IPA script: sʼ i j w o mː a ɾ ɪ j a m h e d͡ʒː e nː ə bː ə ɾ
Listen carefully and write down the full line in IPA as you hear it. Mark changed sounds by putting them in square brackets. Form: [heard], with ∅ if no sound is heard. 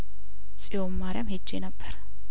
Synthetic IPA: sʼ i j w o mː a ɾ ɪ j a m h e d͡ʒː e [n] ə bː ə ɾ

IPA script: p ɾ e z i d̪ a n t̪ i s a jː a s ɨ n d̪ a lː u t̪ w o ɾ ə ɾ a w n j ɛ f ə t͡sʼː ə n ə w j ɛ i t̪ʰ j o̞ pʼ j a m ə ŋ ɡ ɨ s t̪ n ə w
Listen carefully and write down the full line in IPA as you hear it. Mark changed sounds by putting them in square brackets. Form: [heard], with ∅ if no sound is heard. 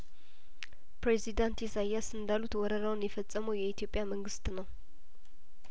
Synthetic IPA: p ɾ e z i d̪ a n t̪ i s a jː a s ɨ n d̪ a [l] u t̪ w [ɔ] ɾ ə ɾ a w n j ɛ f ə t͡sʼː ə [m] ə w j ɛ i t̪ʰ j o̞ pʼ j a m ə ŋ ɡ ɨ s t̪ n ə w

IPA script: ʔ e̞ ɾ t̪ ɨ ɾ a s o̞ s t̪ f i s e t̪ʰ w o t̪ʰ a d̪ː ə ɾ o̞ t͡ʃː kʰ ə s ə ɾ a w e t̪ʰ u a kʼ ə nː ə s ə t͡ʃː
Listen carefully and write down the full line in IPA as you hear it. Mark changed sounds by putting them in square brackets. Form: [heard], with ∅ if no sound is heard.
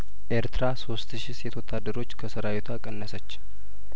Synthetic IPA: ʔ e̞ ɾ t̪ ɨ ɾ a s o̞ s t̪ [ʃ] i s e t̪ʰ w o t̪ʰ a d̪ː ə ɾ o̞ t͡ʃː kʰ ə s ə ɾ a w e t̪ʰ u a kʼ ə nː ə s ə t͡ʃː

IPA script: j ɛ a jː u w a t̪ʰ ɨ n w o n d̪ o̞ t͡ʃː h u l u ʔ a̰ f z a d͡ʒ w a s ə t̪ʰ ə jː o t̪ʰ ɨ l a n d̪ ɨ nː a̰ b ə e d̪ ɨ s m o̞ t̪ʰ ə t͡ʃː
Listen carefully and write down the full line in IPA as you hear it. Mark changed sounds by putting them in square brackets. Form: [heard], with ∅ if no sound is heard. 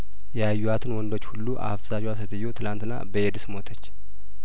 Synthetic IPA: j ɛ a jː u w a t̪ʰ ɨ n w [ɔ] n d̪ o̞ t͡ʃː h u [lː] u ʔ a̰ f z a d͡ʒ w a s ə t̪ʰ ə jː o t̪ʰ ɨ l a n [t̪] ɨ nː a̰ b ə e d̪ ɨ s m o̞ t̪ʰ ə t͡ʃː

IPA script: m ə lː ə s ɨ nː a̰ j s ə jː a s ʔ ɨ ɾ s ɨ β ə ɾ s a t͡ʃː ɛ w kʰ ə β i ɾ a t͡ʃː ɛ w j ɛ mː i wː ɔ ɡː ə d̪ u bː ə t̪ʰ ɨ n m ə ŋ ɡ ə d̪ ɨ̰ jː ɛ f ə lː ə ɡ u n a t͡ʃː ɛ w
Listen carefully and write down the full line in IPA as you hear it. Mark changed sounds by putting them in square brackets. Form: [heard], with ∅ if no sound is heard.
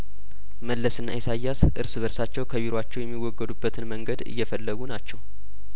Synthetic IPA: m ə lː ə s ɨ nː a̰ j s [a] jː a s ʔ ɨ ɾ s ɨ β ə ɾ s a t͡ʃː ɛ w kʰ ə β i ɾ a t͡ʃː ɛ w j ɛ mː i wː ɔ ɡː ə d̪ u bː ə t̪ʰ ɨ n m ə ŋ ɡ ə d̪ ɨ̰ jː ɛ f ə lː ə ɡ u n a t͡ʃː ɛ w

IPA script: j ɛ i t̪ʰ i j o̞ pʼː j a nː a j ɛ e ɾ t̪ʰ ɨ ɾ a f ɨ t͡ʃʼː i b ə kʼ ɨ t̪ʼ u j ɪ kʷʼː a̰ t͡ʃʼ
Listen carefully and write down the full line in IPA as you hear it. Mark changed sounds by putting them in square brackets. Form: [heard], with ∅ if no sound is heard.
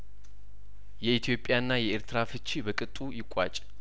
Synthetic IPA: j ɛ i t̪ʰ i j o̞ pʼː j a nː a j ɛ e ɾ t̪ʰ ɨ ɾ a f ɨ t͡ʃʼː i b ə kʼ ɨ t̪ʼ u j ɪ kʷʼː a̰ t͡ʃʼ

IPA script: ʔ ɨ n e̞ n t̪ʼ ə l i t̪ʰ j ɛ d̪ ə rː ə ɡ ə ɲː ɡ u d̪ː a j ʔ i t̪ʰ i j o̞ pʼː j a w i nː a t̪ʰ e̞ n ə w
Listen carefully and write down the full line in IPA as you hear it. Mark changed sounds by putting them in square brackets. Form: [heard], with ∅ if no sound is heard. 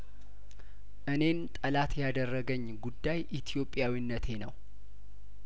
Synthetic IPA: ʔ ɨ n e̞ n t̪ʼ ə l [a] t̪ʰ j [a] d̪ ə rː ə ɡ ə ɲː ɡ u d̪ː a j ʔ i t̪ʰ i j o̞ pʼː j a w i nː [ə] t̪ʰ e̞ n ə w

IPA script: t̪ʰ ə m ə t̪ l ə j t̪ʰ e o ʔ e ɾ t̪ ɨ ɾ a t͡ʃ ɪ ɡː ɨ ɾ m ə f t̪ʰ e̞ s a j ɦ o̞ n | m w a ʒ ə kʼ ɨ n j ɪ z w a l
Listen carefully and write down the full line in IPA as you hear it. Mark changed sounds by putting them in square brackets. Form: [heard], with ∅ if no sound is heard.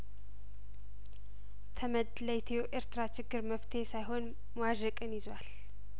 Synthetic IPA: t̪ʰ ə m ə [d̪] l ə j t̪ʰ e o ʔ e ɾ t̪ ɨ ɾ a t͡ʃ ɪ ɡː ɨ ɾ m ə f t̪ʰ e̞ s a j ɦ o̞ n | m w a ʒ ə kʼ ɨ n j ɪ z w a l

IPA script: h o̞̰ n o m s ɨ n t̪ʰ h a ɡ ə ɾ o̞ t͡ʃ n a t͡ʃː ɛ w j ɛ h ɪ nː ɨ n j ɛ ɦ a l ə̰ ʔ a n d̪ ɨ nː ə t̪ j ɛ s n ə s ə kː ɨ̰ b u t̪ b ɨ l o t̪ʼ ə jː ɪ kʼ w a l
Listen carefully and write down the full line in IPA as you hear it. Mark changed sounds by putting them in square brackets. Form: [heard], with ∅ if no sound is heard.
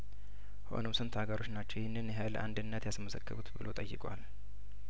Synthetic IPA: h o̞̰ n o m s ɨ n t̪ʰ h a ɡ ə ɾ o̞ t͡ʃ n a t͡ʃː ɛ w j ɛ h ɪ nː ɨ n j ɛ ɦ a l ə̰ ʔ a n d̪ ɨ nː ə t̪ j [a] s [m] ə s ə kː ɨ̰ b u t̪ b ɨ l o t̪ʼ ə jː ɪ kʼ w a l

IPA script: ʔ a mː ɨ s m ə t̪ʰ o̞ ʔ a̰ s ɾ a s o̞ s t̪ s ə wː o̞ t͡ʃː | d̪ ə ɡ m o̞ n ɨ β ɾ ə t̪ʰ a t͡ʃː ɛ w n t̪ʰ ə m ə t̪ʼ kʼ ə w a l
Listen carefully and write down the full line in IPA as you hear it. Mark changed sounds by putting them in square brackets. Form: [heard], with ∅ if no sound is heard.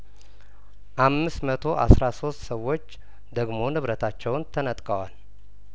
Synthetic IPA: ʔ a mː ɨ s m ə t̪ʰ o̞ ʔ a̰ s ɾ a s o̞ s t̪ s ə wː o̞ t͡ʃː | d̪ ə ɡ m o̞ n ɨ β ɾ ə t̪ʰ a t͡ʃː ɛ w n t̪ʰ ə [n] ə t̪ʼ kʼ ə w a l

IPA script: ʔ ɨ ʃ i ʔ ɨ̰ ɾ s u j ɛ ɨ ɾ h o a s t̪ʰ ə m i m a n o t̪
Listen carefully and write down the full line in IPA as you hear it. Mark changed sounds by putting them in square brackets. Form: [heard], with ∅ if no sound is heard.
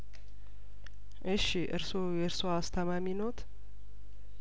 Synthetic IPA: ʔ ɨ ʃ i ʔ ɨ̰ ɾ s [o] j ɛ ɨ ɾ [s] o a s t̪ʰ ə m [a] m [i] n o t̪

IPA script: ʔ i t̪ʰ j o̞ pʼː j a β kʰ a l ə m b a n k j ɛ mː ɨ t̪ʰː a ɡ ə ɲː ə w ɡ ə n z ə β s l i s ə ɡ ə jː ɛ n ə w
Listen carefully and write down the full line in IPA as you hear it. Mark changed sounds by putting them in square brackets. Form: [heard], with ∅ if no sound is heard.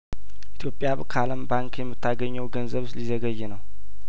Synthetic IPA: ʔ i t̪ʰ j o̞ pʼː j a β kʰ a l ə m b a [ŋ] k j ɛ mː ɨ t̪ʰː a ɡ ə ɲː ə w ɡ ə n z ə β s l i [z] ə ɡ ə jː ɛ n ə w

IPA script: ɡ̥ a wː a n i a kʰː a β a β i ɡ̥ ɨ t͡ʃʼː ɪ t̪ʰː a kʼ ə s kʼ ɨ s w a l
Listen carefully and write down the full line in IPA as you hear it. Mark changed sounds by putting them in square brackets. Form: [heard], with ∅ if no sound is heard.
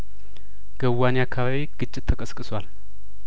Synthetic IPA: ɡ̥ [ə] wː a n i a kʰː a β a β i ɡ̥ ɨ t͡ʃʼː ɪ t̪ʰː [ə] kʼ ə s kʼ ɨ s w a l

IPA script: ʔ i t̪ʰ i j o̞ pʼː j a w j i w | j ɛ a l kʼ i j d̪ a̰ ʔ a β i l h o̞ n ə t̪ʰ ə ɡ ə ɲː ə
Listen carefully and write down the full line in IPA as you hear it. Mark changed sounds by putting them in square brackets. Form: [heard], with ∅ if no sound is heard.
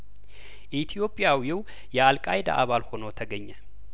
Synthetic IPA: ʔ i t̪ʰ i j o̞ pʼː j a w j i w | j ɛ a l kʼ [a] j d̪ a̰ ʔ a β [a] l h o̞ n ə t̪ʰ ə ɡ ə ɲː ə

